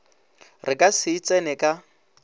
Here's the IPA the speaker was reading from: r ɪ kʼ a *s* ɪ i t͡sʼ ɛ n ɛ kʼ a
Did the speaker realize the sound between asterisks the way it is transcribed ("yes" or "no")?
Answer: yes